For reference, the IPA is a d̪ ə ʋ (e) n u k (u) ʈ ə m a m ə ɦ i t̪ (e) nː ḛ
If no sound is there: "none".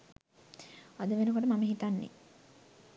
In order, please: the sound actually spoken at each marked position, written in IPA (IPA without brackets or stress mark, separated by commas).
e, o, a